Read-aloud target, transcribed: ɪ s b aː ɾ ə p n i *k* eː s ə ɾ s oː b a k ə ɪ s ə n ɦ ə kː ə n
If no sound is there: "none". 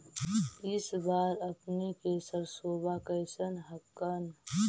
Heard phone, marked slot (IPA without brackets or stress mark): k